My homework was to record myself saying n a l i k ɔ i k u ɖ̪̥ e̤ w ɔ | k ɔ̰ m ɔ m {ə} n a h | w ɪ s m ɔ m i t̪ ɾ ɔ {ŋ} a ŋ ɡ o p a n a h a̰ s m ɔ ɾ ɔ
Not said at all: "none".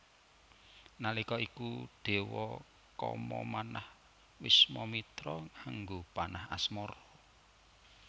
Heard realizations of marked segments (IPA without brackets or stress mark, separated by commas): a, ŋ